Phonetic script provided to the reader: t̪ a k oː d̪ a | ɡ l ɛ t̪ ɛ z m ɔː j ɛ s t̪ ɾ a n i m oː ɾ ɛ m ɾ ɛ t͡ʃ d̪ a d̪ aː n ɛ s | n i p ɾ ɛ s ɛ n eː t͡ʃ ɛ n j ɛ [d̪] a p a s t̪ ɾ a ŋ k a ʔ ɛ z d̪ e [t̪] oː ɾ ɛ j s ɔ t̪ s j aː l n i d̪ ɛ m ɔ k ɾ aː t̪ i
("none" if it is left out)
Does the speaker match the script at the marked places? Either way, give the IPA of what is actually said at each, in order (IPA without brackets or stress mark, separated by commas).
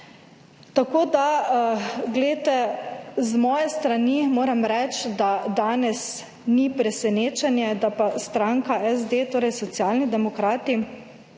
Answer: d̪, t̪